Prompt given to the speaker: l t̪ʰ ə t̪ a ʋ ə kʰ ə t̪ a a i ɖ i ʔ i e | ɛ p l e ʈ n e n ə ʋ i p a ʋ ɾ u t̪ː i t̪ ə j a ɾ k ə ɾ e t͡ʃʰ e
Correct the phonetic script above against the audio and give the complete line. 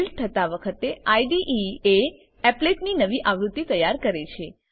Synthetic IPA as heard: l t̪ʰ ə t̪ a ʋ ə kʰ ə t̪ e a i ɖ i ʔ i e | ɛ p l e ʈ n i n ə ʋ i ʔ a ʋ ɾ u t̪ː i t̪ ə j a ɾ k ə ɾ e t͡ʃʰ e

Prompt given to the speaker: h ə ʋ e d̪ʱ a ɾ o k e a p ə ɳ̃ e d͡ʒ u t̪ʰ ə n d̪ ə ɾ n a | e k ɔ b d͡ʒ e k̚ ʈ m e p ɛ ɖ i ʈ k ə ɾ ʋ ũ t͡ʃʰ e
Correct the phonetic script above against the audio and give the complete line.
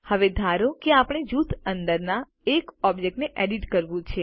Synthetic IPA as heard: h ə ʋ e d̪ʱ a ɾ o k e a p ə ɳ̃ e d͡ʒ u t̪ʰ ə n d̪ ə ɾ n a | e k ɔ b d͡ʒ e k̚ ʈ n e ʔ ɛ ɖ i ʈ k ə ɾ ʋ ũ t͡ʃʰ e

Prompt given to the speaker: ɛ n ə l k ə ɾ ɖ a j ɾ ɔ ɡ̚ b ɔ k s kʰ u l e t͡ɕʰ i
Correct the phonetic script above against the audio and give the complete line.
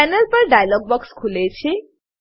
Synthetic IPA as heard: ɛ n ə l p ə ɾ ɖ a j l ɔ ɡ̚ b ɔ k s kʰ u l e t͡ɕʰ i

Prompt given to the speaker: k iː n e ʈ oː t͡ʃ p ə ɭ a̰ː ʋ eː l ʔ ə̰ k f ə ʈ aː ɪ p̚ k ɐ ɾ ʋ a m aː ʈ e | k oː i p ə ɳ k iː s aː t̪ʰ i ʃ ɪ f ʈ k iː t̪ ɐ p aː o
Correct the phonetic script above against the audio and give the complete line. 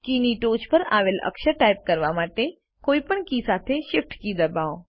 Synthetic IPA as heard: k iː n i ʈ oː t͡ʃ p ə ɾ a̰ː ʋ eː l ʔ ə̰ k ʃ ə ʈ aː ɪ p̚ k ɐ ɾ ʋ a m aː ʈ e | k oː i p ə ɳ k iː s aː t̪ʰ e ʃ ɪ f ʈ k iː d̪ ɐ b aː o

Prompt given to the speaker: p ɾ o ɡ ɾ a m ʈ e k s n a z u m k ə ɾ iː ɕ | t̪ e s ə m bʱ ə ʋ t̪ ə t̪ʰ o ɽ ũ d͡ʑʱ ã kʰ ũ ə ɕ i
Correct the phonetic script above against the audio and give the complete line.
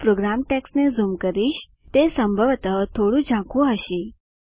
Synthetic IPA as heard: p ɾ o ɡ ɾ a m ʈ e k s n e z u m k ə ɾ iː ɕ | t̪ e s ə m bʱ ə ʋ t̪ ə t̪ʰ o ɽ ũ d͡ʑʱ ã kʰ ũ ə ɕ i

